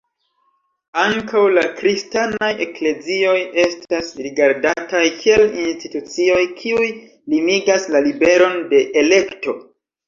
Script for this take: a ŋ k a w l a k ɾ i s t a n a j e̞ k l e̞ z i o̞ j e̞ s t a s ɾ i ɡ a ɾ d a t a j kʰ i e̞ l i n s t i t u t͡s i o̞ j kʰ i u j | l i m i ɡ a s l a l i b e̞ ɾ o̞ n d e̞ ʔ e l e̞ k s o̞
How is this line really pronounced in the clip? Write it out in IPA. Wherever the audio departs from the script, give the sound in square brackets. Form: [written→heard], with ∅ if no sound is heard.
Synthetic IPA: a ŋ k a w l a k ɾ i s t a n a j e̞ k l e̞ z i o̞ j e̞ s t a s ɾ i ɡ a ɾ d a t a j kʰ i e̞ l i n s t i t u t͡s i o̞ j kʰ i u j | l i m i ɡ a s l a l i b e̞ ɾ o̞ n d e̞ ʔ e l e̞ k [s→t] o̞